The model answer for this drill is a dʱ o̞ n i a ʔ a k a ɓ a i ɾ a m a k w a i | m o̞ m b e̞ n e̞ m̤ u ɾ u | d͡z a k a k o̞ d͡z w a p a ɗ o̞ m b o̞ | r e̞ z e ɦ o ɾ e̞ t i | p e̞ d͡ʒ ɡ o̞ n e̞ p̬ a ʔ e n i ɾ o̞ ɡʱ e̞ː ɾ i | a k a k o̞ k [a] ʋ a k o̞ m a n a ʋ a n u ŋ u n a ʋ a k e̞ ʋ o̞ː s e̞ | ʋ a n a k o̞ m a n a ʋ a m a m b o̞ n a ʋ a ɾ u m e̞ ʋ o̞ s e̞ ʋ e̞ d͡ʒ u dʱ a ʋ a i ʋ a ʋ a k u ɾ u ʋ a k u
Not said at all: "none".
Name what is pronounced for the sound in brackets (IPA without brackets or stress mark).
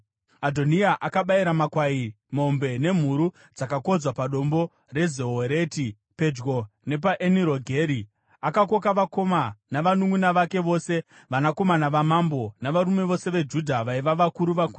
a